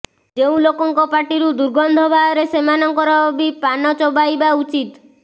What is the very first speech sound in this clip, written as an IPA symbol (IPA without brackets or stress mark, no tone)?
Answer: d͡ʒ